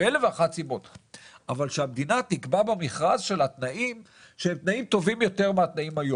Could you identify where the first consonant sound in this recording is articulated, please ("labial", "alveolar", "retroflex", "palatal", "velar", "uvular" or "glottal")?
alveolar